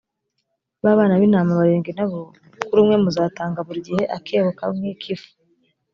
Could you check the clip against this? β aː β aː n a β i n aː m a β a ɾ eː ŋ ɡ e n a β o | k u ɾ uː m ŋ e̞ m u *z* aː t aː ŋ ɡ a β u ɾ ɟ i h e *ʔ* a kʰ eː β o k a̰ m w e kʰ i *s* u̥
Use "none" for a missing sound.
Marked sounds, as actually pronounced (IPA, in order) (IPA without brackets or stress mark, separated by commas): z, ʔ, f